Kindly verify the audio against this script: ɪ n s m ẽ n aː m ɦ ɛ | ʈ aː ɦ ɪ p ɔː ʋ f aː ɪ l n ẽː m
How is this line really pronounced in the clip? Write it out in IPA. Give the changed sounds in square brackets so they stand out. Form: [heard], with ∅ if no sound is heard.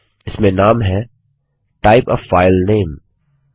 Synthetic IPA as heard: ɪ [∅] s m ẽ n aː m ɦ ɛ | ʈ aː [∅] ɪ p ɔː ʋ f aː ɪ l n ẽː m